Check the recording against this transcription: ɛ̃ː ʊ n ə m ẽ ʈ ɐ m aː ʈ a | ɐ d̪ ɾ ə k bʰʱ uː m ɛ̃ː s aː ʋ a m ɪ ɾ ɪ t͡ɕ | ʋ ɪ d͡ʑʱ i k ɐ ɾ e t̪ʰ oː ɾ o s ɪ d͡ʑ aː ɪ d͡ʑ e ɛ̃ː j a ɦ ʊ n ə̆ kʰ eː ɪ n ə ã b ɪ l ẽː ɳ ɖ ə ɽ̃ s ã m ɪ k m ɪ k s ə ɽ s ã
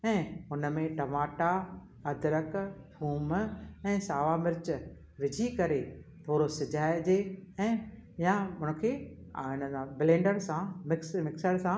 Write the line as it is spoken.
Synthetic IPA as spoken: ɛ̃ː ʊ n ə m ẽ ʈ ɐ m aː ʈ a | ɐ d̪ ɾ ə k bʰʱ uː m ɛ̃ː s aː ʋ a m ɪ ɾ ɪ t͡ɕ | ʋ ɪ d͡ʑʱ i k ɐ ɾ e t̪ʰ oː ɾ o s ɪ d͡ʑ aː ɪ d͡ʑ e ɛ̃ː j a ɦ ʊ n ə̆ kʰ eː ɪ n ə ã b ɪ l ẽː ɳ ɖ ə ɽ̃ s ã m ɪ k m ɪ k s ə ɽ s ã